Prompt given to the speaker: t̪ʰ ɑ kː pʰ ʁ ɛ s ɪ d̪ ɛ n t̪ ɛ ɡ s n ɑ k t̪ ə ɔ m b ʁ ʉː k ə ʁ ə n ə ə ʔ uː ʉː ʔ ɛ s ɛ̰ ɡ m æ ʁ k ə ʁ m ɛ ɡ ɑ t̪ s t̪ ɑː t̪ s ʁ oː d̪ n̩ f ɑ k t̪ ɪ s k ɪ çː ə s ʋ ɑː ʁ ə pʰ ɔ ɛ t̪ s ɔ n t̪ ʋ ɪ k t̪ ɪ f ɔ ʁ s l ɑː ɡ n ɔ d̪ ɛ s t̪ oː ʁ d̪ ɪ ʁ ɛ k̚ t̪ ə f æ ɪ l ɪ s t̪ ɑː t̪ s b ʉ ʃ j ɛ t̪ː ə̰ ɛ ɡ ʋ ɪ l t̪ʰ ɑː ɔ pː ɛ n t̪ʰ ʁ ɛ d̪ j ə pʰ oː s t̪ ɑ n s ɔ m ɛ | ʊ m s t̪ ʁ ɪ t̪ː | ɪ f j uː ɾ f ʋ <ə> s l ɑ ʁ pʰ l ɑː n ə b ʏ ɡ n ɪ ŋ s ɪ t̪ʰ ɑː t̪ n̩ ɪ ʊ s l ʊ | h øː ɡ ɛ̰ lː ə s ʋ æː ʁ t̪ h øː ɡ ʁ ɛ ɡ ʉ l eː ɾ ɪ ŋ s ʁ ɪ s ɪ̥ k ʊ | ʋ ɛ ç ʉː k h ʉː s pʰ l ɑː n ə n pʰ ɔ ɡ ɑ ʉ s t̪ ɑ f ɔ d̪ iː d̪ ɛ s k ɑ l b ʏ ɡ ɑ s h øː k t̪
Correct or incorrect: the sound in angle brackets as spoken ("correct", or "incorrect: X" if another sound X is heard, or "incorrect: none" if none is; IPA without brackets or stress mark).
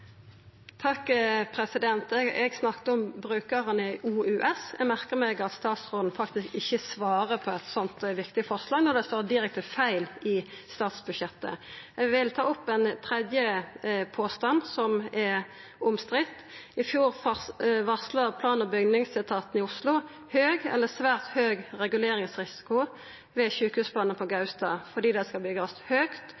incorrect: ɑ